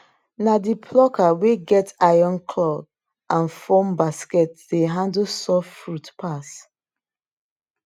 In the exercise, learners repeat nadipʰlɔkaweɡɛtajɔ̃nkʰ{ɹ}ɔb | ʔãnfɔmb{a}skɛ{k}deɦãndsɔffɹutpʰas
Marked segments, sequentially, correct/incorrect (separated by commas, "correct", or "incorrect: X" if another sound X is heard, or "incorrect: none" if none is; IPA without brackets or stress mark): incorrect: l, correct, incorrect: t